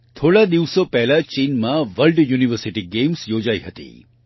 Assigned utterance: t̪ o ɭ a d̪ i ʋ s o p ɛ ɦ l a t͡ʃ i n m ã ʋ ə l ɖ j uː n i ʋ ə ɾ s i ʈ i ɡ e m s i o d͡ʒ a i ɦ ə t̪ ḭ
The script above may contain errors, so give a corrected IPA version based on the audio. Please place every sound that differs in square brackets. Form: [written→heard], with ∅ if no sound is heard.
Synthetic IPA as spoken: [t̪→t̪ʰ] o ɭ a d̪ i ʋ s o p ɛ ɦ l a t͡ʃ i n m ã ʋ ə l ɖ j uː n i ʋ ə ɾ s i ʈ i ɡ e m s [i→j] o d͡ʒ a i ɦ ə t̪ ḭ